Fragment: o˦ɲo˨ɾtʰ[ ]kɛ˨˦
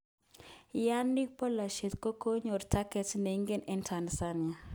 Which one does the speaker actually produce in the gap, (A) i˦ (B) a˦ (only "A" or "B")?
B